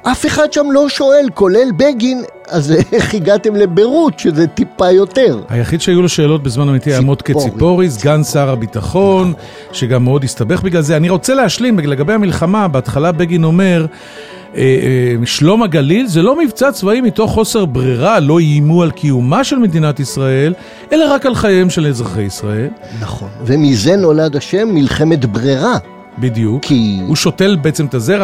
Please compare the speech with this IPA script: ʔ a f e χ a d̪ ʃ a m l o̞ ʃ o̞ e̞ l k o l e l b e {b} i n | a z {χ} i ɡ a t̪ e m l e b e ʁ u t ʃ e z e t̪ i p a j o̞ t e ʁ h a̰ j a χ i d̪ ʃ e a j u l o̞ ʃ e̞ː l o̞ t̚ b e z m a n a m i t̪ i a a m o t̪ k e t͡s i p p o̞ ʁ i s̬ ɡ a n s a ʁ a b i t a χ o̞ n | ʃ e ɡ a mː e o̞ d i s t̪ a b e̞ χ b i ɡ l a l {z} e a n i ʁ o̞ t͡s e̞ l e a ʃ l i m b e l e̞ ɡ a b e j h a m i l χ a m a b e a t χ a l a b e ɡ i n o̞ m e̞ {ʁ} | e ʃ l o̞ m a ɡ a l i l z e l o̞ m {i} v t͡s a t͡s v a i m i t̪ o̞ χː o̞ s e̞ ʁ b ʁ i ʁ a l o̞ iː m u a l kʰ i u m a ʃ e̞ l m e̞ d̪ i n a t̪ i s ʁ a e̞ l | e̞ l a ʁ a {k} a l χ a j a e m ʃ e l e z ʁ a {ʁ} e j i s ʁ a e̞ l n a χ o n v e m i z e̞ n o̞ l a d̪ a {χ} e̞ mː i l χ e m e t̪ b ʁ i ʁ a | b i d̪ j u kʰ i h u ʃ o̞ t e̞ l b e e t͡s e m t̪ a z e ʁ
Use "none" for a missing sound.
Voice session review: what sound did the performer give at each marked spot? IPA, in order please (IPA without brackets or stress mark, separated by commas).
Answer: ɡ, χ, z, ʁ, i, k, χ, ʃ